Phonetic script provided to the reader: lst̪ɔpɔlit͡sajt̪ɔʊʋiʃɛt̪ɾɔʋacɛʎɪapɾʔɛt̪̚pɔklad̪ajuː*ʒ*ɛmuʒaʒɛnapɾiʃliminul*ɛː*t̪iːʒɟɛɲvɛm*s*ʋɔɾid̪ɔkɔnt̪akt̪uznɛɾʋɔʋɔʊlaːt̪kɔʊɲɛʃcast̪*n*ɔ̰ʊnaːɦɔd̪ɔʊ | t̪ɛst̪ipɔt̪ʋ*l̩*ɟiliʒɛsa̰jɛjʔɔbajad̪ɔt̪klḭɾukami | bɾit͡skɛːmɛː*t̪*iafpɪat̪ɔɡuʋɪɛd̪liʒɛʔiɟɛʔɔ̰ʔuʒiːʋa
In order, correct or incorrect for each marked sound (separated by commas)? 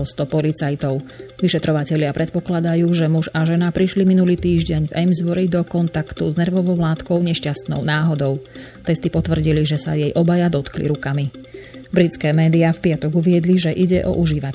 correct, incorrect, incorrect, correct, incorrect, incorrect